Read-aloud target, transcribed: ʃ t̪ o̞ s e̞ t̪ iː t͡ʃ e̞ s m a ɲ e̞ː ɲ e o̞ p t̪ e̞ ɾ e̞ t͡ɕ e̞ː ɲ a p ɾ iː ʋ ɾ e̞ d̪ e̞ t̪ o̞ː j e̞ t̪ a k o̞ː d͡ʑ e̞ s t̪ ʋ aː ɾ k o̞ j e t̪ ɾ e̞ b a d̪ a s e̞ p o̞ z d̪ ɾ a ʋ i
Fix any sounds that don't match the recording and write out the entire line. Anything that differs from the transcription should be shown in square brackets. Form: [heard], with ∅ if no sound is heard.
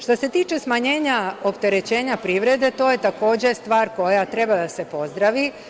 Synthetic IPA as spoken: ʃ t̪ o̞ s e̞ t̪ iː t͡ʃ e̞ s m a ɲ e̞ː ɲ [a] o̞ p t̪ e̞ ɾ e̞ t͡ɕ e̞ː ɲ a p ɾ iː ʋ ɾ e̞ d̪ e̞ t̪ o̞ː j e̞ t̪ a k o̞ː d͡ʑ e̞ s t̪ ʋ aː ɾ k o̞ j [a] t̪ ɾ e̞ b a d̪ a s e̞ p o̞ z d̪ ɾ a ʋ i